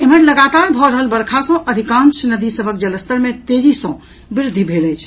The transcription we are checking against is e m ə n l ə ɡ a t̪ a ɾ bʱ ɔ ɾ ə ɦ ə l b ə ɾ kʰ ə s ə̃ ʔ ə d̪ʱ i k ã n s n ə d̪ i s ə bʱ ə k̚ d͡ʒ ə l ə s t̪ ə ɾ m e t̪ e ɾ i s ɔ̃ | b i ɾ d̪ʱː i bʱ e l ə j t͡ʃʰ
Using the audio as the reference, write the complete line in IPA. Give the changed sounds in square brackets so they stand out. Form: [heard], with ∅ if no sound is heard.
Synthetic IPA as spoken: e m ə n l ə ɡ a t̪ a ɾ bʱ ɔ ɾ ə ɦ ə l b ə ɾ kʰ [a] s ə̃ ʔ ə d̪ʱ i k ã n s n ə d̪ i s ə bʱ ə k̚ d͡ʒ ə l ə s t̪ ə ɾ m e t̪ e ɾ i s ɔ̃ | b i ɾ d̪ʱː i bʱ e l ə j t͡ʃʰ